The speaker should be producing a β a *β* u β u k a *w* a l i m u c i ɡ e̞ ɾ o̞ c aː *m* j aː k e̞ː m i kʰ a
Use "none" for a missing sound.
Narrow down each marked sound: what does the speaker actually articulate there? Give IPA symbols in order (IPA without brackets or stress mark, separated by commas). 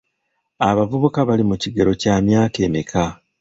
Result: v, β, m